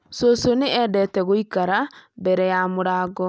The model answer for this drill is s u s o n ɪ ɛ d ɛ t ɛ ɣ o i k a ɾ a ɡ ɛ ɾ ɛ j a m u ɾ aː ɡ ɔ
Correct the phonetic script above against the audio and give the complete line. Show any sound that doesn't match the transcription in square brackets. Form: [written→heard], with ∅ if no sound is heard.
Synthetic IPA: s [u→o] s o n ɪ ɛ d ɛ t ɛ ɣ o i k a ɾ a [ɡ→b] ɛ ɾ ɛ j a m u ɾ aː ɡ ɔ